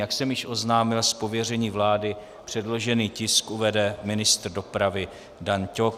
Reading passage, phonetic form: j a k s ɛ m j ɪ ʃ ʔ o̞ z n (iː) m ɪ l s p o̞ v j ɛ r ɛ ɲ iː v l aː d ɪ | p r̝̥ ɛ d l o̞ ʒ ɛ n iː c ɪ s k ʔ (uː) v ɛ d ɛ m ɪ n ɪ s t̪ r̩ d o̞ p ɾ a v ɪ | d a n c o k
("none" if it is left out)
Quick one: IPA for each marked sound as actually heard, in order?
aː, u

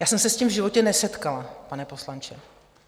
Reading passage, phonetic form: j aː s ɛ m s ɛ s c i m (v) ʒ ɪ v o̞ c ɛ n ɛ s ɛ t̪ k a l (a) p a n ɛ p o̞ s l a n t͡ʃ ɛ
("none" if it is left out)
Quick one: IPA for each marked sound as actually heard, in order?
v, a

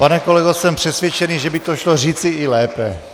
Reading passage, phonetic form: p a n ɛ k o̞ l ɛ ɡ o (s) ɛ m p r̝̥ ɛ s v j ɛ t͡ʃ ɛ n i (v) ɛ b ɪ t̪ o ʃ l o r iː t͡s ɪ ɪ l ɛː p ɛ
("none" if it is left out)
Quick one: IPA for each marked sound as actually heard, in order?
s, ʒ

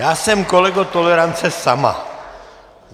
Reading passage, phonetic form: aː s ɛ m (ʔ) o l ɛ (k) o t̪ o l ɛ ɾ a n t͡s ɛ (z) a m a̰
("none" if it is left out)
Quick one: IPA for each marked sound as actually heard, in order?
k, ɡ, s

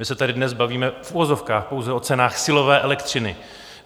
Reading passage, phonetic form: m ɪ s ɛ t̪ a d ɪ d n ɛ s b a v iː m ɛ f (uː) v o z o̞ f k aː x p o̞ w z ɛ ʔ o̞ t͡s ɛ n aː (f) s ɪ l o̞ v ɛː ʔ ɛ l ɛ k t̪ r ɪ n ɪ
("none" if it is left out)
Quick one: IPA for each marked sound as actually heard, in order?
u, x

